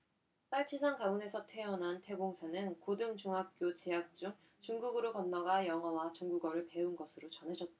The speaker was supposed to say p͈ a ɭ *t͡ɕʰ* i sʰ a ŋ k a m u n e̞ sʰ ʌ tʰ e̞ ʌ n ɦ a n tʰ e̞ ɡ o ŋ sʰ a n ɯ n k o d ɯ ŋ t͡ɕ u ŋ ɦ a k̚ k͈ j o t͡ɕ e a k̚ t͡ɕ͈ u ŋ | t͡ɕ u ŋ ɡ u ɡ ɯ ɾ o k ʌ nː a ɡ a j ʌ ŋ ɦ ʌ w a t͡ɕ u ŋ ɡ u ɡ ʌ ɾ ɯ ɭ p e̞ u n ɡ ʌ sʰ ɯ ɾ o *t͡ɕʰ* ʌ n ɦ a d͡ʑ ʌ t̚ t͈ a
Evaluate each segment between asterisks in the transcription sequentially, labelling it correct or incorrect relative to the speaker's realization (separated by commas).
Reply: correct, incorrect